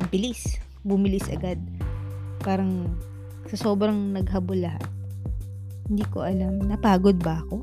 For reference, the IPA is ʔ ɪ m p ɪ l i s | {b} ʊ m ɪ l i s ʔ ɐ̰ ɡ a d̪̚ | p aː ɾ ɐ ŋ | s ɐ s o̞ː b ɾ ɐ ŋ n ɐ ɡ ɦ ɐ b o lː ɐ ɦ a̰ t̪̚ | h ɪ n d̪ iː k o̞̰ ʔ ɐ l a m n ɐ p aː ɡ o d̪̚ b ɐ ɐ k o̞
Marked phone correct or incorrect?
correct